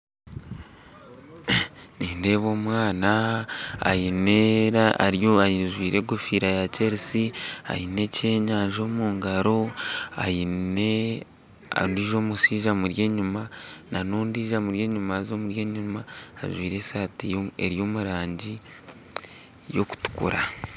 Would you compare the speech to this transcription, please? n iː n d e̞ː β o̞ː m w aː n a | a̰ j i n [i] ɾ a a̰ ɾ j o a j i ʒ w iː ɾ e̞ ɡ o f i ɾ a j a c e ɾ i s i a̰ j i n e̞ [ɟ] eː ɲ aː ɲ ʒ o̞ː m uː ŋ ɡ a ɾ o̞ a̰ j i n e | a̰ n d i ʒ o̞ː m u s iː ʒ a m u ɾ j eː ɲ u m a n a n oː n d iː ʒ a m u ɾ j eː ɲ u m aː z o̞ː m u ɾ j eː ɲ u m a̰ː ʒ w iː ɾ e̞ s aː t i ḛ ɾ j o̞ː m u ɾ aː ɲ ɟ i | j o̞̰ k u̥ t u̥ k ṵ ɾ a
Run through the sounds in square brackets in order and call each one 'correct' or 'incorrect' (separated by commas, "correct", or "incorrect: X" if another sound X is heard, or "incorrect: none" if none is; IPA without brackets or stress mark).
incorrect: e, incorrect: c